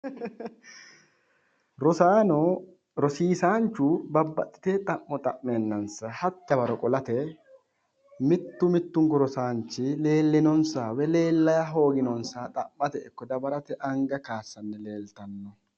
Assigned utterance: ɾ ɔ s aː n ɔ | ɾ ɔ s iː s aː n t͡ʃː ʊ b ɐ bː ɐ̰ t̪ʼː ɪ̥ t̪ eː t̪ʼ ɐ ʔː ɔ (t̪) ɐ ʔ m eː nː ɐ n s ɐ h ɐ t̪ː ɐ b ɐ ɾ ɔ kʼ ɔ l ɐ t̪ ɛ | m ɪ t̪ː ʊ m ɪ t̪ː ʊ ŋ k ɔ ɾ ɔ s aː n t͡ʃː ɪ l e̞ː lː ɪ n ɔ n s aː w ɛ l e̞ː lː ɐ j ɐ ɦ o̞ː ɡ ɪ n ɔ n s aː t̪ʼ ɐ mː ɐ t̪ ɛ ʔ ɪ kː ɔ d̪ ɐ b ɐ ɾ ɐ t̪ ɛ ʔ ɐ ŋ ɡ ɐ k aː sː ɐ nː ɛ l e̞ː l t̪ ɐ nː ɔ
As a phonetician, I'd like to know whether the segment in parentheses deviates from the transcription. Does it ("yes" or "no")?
yes